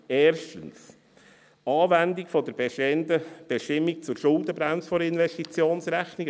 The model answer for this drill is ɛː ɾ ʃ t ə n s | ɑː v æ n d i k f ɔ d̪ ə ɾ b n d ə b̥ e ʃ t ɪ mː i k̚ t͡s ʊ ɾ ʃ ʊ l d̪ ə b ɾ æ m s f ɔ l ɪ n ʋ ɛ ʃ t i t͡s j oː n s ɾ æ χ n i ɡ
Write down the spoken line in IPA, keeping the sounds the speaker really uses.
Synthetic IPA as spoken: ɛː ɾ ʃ t ə n s | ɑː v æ n d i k f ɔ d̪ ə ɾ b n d ə b̥ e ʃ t ɪ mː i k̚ t͡s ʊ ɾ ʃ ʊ l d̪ ə b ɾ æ m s f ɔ ɾ ɪ n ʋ ɛ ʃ t i t͡s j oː n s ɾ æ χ n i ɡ